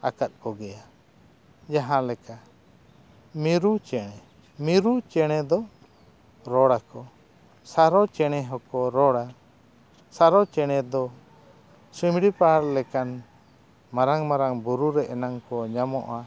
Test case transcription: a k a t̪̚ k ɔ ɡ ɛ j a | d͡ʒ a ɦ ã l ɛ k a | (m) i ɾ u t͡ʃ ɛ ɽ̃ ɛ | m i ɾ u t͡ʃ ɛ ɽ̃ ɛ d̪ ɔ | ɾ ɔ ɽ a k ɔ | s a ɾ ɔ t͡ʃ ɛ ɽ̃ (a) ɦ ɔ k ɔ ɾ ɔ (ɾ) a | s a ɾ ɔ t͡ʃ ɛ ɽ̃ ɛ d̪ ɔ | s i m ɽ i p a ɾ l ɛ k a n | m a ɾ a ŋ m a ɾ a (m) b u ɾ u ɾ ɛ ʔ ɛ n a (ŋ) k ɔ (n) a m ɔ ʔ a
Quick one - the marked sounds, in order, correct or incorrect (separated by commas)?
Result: correct, incorrect, incorrect, incorrect, correct, incorrect